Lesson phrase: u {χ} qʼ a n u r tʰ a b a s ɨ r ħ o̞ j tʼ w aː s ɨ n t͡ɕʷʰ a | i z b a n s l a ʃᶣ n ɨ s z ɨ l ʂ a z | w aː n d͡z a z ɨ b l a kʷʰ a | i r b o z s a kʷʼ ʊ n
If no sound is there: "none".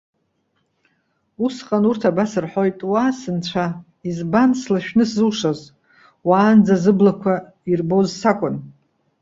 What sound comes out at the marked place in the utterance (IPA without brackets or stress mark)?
s